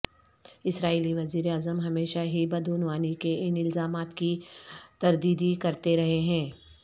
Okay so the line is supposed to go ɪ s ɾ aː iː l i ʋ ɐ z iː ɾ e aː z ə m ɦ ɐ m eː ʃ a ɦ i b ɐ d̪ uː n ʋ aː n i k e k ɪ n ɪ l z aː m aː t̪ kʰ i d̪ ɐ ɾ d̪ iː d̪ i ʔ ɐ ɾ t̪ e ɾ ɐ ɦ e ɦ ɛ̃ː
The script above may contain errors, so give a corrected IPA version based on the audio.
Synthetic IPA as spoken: ɪ s ɾ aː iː l i ʋ ɐ z iː ɾ e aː z ə m ɦ ɐ m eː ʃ a ɦ i b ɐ d̪ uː n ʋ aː n i k e ɪ n ɪ l z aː m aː t̪ k i t̪ ɐ ɾ d̪ iː d̪ i k ɐ ɾ t̪ e ɾ ɐ ɦ e ɦ ɛ̃ː